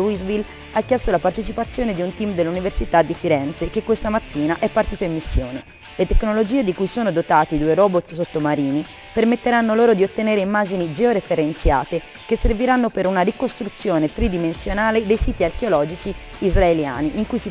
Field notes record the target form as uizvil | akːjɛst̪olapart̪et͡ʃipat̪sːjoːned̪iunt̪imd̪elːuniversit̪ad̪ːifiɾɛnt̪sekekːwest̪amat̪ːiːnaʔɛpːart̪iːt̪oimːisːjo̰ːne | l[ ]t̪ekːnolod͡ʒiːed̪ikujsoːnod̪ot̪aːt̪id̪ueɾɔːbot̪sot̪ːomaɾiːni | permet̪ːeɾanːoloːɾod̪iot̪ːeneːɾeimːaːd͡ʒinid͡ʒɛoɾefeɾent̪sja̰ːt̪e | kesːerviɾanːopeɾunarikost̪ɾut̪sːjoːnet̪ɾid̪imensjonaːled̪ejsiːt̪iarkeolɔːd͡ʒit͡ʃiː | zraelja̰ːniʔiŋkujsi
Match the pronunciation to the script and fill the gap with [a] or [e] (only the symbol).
e